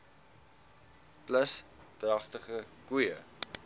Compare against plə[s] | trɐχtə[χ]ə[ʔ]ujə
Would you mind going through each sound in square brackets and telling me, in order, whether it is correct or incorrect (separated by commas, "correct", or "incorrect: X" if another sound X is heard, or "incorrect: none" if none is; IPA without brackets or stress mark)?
correct, correct, incorrect: k